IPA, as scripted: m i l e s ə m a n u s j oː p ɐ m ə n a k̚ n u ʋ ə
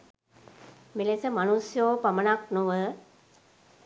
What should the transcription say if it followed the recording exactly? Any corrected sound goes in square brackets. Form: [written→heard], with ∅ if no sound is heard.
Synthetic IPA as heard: m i l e s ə m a n u s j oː p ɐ m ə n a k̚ n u ʋ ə